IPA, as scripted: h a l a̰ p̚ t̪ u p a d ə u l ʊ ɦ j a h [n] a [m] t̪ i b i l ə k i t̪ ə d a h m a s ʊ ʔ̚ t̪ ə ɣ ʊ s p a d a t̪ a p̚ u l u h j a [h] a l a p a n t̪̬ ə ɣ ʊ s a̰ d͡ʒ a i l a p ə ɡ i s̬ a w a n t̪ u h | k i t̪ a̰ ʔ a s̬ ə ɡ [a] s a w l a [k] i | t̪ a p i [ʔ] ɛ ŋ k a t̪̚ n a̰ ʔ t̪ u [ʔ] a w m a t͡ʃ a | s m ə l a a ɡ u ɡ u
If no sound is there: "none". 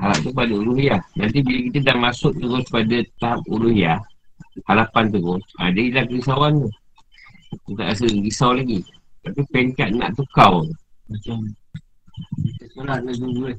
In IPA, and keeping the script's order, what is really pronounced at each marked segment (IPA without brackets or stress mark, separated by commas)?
n, n, h, i, ɡ, p, k